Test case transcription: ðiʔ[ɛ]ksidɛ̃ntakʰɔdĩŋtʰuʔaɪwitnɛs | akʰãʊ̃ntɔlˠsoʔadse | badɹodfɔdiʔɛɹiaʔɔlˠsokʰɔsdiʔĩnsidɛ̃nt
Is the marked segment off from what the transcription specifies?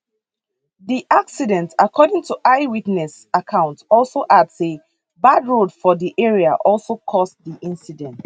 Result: yes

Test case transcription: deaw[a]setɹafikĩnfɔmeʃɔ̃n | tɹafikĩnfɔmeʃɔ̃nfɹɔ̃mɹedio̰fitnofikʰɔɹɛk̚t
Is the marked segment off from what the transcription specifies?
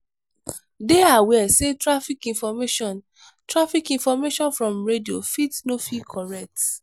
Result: yes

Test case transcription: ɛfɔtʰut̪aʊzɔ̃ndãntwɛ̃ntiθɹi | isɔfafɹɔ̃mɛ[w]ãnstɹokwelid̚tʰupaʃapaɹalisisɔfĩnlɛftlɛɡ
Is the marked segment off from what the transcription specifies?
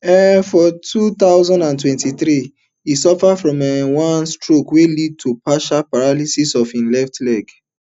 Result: no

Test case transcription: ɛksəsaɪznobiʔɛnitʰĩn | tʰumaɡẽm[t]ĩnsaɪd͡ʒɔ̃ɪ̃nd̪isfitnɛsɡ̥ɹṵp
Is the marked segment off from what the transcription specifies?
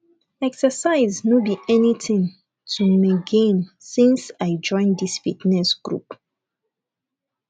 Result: yes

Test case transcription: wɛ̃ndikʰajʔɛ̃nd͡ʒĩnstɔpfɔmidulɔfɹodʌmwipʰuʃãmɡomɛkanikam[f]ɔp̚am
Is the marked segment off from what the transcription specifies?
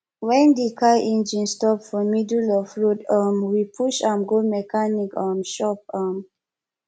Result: yes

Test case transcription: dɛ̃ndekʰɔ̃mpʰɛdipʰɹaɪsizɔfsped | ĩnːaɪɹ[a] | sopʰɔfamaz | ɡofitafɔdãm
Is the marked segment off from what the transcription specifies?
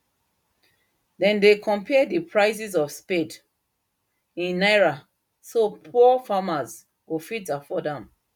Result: no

